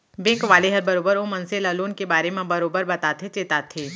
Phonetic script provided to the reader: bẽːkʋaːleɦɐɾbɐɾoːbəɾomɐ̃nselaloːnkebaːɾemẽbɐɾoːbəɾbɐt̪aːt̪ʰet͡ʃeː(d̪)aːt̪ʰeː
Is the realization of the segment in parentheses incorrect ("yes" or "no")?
yes